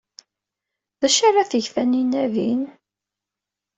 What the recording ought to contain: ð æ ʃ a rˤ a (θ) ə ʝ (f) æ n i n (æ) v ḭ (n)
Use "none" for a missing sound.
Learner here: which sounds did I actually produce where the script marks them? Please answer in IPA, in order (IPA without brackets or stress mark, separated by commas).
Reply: θ, f, æ, n